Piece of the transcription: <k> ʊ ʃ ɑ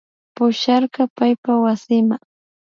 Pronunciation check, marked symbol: incorrect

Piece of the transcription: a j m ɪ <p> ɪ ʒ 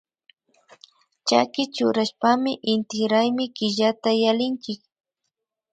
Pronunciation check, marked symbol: incorrect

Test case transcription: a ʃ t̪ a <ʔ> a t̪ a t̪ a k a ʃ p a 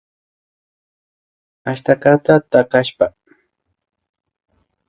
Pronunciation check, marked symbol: incorrect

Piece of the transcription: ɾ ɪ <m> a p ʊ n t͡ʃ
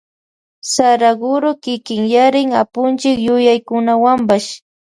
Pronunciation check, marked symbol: incorrect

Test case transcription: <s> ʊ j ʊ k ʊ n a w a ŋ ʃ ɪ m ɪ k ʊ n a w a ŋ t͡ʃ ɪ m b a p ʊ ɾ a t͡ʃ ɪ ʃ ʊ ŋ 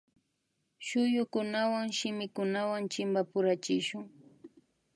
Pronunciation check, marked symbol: incorrect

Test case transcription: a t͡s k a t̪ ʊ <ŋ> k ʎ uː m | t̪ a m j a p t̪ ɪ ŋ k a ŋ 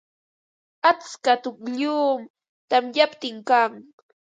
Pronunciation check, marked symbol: incorrect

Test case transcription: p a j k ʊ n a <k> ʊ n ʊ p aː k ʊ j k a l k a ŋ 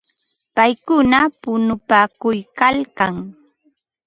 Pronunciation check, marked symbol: incorrect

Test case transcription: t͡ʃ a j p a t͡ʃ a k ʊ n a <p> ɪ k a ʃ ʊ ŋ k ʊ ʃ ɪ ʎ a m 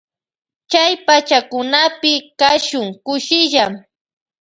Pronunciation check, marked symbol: correct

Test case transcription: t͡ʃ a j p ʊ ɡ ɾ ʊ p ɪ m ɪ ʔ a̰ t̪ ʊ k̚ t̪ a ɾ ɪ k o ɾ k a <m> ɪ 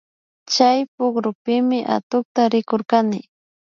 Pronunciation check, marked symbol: incorrect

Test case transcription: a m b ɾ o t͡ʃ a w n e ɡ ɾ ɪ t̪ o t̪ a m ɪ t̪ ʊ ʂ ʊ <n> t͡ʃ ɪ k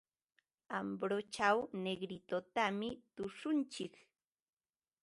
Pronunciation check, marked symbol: correct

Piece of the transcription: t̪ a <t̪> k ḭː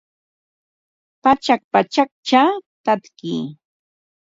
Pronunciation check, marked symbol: correct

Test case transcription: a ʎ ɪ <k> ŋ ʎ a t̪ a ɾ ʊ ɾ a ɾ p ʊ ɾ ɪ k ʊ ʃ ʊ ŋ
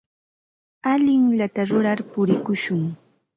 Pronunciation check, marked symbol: incorrect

